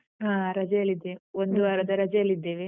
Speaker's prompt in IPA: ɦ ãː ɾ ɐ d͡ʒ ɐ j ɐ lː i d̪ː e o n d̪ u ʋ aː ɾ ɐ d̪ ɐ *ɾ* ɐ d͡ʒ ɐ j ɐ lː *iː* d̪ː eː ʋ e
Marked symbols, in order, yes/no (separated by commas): yes, no